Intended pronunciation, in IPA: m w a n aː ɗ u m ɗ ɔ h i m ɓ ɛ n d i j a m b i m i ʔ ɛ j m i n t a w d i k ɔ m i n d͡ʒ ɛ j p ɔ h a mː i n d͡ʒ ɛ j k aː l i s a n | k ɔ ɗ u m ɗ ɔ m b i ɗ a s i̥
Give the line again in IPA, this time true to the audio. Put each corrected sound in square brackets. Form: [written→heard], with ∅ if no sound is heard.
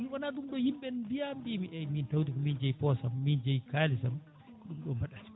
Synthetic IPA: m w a n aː ɗ u m ɗ ɔ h i m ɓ ɛ n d i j a m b i m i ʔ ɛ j m i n t a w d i k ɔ m i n d͡ʒ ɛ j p ɔ [h→s] a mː i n d͡ʒ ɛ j k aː l i s a [n→m] | k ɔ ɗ u m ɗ ɔ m b [i→a] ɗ a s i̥